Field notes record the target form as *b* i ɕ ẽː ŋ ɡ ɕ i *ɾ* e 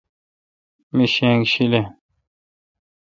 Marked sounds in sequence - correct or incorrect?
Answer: incorrect: m, incorrect: l

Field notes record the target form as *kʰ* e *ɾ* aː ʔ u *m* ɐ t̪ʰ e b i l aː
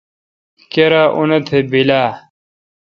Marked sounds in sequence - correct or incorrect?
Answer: incorrect: k, correct, incorrect: n

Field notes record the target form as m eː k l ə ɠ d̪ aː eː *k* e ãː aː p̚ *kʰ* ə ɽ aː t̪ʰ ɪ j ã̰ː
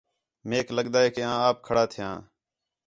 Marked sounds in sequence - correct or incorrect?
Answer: correct, correct

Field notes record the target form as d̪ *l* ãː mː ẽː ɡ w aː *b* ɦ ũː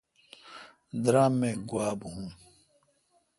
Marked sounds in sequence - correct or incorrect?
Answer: incorrect: ɾ, correct

